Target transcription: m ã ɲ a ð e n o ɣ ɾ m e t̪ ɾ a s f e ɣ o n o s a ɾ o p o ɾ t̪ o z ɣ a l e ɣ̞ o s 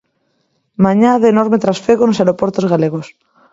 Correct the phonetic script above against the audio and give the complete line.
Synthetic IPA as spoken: m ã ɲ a ð e n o ɾ m e t̪ ɾ a s f e ɣ o n o s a ɾ o p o ɾ t̪ o z ɣ a l e ɣ̞ o s